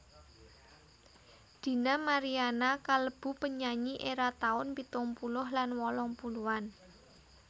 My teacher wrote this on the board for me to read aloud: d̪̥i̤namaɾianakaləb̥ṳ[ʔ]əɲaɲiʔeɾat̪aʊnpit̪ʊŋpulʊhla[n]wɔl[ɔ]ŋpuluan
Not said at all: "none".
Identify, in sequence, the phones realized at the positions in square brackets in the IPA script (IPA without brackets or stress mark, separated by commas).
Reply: p, n, ɔ